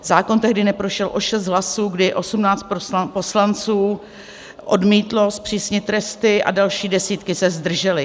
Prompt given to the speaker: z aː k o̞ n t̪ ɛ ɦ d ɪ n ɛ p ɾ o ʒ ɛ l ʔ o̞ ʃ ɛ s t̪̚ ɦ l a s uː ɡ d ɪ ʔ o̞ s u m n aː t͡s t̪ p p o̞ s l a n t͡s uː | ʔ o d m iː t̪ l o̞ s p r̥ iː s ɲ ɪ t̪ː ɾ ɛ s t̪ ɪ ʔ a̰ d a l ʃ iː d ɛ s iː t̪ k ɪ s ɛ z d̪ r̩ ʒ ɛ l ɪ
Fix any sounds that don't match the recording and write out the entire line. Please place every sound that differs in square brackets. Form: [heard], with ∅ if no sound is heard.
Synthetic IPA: z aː k o̞ n t̪ ɛ ɦ d ɪ n ɛ p ɾ o [ʃ] ɛ l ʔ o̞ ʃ ɛ s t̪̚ ɦ l a s uː ɡ d ɪ ʔ o̞ s u m n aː t͡s t̪ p p o̞ s l a n t͡s uː | ʔ o d m iː t̪ l o̞ s p r̥ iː s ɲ ɪ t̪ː ɾ ɛ s t̪ ɪ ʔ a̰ d a l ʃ iː d ɛ s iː t̪ k ɪ s ɛ z d̪ r̩ ʒ ɛ l ɪ